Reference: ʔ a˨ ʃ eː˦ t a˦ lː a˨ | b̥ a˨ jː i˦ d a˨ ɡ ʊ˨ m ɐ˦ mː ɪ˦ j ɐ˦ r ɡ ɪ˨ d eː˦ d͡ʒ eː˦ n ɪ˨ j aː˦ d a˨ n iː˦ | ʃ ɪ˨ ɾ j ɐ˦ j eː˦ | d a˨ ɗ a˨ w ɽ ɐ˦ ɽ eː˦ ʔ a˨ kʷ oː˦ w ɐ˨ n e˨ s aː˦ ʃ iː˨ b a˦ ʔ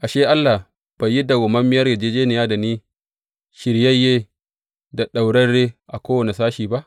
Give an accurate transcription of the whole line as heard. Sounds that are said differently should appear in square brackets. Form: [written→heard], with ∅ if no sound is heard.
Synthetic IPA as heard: ʔ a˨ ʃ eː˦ [t→ʔ] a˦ lː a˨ | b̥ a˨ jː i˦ d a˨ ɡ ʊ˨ m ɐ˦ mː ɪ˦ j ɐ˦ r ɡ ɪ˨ [d→d͡ʒ] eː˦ d͡ʒ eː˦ n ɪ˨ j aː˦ d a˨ n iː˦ | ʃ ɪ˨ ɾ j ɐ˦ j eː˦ | d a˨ ɗ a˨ w ɽ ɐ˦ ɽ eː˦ ʔ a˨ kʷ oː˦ w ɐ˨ n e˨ s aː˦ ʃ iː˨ b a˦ ʔ